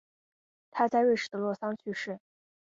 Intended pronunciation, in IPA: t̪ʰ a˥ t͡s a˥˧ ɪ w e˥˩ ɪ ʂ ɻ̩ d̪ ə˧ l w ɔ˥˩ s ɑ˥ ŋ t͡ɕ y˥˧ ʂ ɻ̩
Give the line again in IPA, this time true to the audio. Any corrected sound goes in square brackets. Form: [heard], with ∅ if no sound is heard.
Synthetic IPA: t̪ʰ a˥ t͡s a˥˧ ɪ w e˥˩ ɪ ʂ ɻ̩ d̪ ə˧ l w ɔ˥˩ s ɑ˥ ŋ [t͡ɕʰ] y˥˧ ʂ ɻ̩